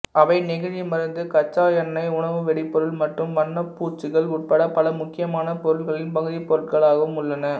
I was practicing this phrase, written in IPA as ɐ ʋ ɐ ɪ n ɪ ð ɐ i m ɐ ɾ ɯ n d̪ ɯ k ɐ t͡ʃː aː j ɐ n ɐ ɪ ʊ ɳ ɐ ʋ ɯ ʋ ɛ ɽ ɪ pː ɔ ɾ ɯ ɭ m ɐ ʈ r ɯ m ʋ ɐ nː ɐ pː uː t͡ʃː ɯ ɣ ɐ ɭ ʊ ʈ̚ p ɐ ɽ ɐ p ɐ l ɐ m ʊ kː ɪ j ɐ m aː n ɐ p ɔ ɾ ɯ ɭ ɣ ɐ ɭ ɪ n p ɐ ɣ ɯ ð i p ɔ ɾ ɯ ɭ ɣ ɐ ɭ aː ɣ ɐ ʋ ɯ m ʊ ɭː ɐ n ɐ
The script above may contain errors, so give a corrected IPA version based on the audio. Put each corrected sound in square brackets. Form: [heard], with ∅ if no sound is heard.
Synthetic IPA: ɐ ʋ ɐ ɪ n ɪ [ɣ] ɐ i m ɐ ɾ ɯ n d̪ ɯ k ɐ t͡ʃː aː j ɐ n ɐ ɪ ʊ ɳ ɐ ʋ ɯ ʋ ɛ ɽ ɪ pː ɔ ɾ ɯ ɭ m ɐ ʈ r ɯ m ʋ ɐ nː ɐ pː uː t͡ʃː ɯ ɣ ɐ ɭ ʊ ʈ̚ p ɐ ɽ ɐ p ɐ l ɐ m ʊ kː ɪ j ɐ m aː n ɐ p ɔ ɾ ɯ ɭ ɣ ɐ ɭ ɪ n p ɐ ɣ ɯ ð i p ɔ ɾ ɯ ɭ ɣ ɐ ɭ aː ɣ ɐ ʋ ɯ m ʊ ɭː ɐ n ɐ